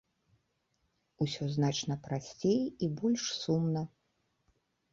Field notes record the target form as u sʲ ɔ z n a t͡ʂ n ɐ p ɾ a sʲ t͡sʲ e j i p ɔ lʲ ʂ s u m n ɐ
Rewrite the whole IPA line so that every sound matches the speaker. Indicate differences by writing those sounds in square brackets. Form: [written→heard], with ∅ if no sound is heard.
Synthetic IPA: u sʲ ɔ z n a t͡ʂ n ɐ p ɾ a sʲ t͡sʲ e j i [p→b] ɔ lʲ ʂ s u m n ɐ